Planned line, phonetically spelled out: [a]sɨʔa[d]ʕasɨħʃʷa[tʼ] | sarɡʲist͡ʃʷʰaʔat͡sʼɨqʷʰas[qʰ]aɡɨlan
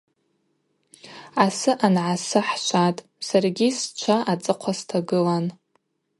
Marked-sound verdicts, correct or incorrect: correct, incorrect: n, correct, incorrect: tʰ

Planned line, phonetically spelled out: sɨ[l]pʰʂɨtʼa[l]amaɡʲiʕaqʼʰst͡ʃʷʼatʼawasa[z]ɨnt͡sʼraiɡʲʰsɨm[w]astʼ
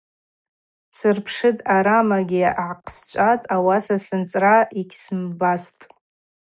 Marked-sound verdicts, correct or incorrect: incorrect: r, incorrect: ɾ, incorrect: s, incorrect: b

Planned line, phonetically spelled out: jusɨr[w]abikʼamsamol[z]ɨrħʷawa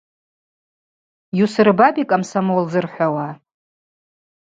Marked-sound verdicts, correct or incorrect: incorrect: b, correct

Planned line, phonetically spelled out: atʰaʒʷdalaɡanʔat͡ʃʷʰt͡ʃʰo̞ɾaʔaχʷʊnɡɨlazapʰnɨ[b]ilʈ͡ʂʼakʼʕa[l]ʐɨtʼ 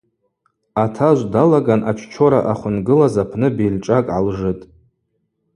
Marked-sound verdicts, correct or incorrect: correct, correct

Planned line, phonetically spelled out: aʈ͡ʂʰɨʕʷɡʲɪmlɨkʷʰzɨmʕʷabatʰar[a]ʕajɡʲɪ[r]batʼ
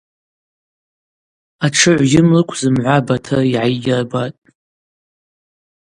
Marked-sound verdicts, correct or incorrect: incorrect: i, correct

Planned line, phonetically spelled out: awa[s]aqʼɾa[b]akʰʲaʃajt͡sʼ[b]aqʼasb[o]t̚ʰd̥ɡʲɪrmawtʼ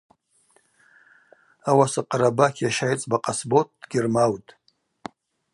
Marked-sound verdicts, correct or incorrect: correct, correct, correct, correct

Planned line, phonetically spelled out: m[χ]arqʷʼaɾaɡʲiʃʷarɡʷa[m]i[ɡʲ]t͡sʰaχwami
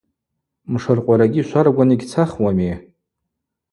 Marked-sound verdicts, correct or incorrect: incorrect: ʂ, incorrect: n, correct

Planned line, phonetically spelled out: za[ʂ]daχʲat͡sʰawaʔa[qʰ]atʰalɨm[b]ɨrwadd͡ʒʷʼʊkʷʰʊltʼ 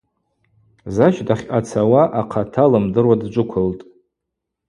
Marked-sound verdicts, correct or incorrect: incorrect: ʃ, correct, incorrect: d

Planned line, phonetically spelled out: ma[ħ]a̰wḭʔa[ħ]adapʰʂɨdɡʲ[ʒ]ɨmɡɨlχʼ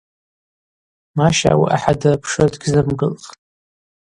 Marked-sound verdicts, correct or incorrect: incorrect: ʃ, correct, incorrect: z

